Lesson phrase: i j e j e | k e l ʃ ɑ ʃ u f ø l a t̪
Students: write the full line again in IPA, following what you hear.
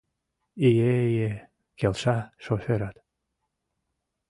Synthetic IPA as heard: i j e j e | k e l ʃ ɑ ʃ o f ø ɾ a t̪